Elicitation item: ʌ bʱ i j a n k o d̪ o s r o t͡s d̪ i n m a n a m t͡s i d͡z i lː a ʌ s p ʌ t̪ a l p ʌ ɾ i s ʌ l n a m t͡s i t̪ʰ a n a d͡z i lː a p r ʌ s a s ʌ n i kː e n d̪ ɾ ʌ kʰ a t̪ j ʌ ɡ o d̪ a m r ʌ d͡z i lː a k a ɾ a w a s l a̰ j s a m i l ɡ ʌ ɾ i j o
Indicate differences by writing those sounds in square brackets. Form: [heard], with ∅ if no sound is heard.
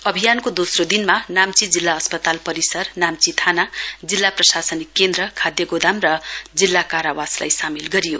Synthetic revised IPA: ʌ bʱ i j a n k o d̪ o s r o [∅] d̪ i n m a n a m t͡s i d͡z i lː a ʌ s p ʌ t̪ a l p ʌ ɾ i s ʌ [r] n a m t͡s i t̪ʰ a n a d͡z i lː a p r ʌ s a s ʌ n i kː e n d̪ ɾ ʌ kʰ a [d̪] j ʌ ɡ o d̪ a m r ʌ d͡z i lː a k a ɾ a w a s l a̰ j s a m i l ɡ ʌ ɾ i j o